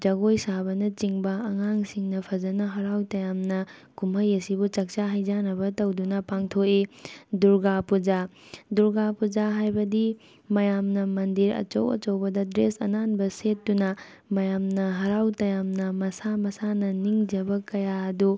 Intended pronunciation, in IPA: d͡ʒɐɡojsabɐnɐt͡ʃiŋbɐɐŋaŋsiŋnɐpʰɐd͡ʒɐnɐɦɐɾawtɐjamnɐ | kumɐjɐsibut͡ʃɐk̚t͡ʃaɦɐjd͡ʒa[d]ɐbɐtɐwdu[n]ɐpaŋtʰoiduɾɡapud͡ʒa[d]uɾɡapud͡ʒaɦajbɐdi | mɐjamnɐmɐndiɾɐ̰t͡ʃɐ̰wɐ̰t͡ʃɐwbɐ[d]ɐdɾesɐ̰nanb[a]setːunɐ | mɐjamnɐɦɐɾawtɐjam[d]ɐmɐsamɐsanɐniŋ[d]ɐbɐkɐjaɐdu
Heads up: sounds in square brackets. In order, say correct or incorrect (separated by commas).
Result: incorrect, correct, correct, correct, incorrect, incorrect, incorrect